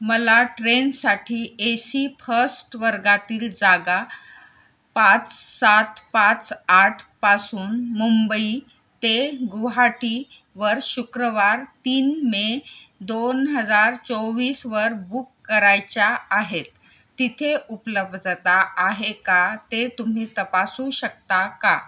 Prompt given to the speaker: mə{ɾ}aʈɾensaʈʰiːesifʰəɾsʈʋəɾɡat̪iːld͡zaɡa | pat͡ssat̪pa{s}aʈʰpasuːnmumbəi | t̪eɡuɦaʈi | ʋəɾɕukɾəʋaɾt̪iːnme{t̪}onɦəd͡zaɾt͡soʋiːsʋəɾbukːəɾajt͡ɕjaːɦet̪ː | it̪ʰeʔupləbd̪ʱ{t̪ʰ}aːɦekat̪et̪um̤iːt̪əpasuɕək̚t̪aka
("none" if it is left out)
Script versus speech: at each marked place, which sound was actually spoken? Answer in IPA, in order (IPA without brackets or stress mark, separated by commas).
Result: l, t͡s, d̪, t̪